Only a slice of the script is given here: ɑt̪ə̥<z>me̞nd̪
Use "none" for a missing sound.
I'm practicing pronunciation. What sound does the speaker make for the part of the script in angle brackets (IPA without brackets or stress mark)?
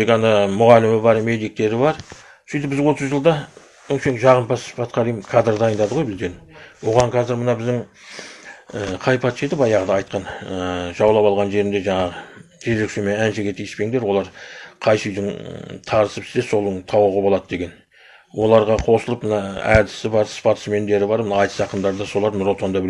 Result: s